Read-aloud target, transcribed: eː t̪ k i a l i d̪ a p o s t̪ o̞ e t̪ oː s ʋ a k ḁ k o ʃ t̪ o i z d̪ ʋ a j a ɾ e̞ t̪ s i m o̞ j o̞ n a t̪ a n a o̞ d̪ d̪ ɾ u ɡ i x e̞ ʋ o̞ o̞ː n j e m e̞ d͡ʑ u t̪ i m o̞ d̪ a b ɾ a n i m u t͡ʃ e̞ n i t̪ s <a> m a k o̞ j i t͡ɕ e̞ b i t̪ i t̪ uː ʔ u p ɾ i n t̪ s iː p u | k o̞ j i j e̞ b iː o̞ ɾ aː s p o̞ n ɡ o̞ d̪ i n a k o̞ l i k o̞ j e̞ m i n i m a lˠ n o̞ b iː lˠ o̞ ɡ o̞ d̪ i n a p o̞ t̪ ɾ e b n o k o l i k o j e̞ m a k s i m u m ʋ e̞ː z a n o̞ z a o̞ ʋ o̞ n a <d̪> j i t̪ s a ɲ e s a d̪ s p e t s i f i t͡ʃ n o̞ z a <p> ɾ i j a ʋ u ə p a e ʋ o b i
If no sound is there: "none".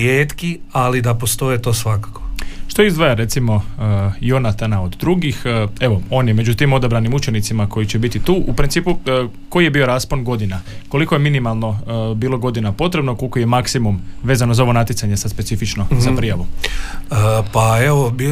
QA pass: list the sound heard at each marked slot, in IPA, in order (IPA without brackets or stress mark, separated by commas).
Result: i, t̪, p